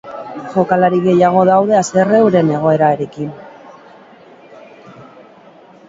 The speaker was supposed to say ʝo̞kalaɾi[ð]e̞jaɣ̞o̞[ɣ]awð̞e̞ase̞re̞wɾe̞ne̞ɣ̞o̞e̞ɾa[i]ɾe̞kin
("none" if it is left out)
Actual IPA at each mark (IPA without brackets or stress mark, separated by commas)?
ɣ, ð, e